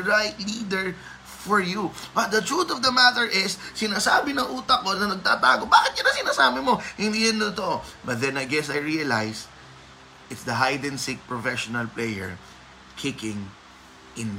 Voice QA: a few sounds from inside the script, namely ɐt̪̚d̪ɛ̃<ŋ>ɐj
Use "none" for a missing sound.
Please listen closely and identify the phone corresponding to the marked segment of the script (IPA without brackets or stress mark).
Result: n